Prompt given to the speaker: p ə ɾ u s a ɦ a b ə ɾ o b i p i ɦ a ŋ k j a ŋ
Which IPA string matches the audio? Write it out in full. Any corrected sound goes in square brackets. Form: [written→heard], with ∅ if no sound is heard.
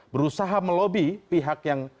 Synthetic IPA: [p→b] ə ɾ u s a ɦ a [b→m] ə [ɾ→l] o b i p i ɦ a [ŋ→∅] k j a ŋ